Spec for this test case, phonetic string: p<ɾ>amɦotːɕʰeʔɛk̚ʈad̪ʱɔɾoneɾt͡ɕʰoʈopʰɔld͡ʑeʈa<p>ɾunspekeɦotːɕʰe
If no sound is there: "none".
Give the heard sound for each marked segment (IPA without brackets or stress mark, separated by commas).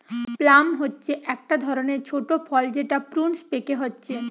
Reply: l, p